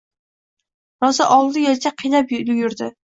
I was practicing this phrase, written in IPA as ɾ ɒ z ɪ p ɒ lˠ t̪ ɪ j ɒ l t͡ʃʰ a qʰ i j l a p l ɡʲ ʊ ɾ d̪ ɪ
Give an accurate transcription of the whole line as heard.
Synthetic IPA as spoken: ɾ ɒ z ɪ ʔ ɒ lˠ d̪ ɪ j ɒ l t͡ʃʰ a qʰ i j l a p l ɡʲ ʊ ɾ d̪ ɪ

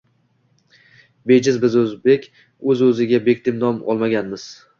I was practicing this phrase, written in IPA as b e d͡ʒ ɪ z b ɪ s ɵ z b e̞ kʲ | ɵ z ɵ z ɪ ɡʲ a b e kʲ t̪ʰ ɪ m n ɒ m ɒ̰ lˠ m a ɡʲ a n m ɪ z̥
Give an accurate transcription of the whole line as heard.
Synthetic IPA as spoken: b e d͡ʒ ɪ z b ɪ z ɵ z b e̞ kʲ | ɵ z ɵ z ɪ ɡʲ a b e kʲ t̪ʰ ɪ m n ɒ m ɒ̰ lˠ m a ɡʲ a n m ɪ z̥

